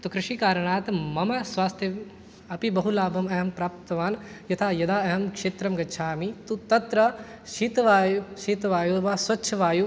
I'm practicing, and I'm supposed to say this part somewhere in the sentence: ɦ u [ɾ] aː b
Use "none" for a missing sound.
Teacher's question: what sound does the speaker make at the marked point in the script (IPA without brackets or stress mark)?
l